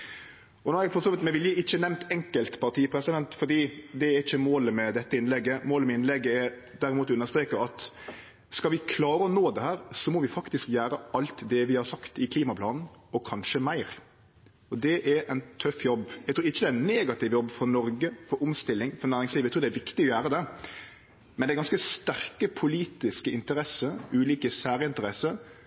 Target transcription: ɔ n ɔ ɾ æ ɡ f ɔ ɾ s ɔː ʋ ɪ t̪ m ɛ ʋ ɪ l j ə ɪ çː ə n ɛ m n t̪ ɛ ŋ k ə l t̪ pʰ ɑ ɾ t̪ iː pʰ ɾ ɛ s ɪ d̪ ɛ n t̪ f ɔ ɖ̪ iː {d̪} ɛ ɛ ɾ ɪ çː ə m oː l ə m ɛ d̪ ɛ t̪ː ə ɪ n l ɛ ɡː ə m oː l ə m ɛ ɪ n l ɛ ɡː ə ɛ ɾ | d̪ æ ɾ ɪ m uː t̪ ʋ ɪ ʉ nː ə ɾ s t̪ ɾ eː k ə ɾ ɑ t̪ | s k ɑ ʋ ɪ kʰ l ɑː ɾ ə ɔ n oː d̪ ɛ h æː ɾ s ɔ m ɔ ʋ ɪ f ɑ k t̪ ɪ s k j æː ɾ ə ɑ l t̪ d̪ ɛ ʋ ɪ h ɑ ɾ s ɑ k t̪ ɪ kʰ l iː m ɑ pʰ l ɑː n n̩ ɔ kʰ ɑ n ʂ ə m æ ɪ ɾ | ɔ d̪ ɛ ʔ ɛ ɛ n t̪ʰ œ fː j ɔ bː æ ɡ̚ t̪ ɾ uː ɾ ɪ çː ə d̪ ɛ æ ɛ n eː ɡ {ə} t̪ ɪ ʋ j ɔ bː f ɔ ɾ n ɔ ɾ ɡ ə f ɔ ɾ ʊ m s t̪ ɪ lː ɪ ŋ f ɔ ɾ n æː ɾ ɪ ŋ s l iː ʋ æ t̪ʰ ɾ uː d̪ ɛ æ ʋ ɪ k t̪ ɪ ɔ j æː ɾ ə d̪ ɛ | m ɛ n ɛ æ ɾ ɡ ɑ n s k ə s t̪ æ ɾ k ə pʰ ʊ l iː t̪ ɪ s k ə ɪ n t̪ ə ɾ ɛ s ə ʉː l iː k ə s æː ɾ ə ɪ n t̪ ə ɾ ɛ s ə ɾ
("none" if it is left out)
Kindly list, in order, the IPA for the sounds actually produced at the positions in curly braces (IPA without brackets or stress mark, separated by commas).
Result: d̪, ɑ